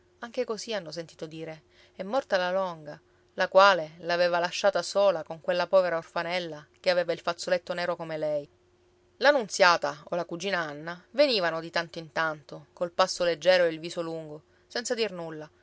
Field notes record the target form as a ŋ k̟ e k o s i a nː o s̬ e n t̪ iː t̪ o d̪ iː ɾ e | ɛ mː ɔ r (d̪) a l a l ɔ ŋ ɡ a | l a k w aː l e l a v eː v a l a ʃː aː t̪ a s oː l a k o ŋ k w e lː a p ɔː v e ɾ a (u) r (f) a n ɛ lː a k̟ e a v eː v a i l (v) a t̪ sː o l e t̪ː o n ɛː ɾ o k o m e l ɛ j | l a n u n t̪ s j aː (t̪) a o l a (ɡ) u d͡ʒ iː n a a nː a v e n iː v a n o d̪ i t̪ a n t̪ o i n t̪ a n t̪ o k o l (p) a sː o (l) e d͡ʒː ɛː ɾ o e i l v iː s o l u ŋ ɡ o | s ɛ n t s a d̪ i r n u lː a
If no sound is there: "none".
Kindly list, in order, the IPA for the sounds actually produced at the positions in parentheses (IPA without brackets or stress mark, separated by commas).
t̪, o, f, f, t̪, k, p, l